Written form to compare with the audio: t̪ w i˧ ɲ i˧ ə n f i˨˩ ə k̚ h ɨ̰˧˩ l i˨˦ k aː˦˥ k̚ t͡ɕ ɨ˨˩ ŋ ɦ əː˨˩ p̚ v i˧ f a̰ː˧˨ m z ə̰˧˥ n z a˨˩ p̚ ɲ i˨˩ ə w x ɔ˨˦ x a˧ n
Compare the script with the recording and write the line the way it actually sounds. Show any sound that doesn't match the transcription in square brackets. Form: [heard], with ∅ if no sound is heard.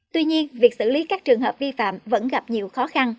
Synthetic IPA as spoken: t̪ w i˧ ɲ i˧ ə n [v] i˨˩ ə k̚ [s] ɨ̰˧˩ l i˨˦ k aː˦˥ k̚ t͡ɕ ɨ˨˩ ŋ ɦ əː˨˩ p̚ v i˧ f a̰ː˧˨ m [v] ə̰˧˥ n [ɣ] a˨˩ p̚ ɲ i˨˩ ə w x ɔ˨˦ x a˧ n